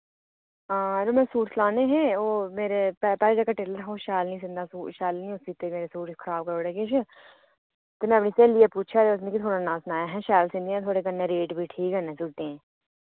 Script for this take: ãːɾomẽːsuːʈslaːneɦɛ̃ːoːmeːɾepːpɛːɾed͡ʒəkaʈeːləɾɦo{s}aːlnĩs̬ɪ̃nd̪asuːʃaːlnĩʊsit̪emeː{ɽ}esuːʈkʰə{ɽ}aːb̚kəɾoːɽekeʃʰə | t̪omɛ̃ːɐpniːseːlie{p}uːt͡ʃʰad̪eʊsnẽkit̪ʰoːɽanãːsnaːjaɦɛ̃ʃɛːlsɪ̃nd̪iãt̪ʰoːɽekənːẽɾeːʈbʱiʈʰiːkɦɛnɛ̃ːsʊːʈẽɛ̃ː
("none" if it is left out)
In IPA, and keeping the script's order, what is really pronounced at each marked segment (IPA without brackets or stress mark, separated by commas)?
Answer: ʃ, ɾ, ɾ, p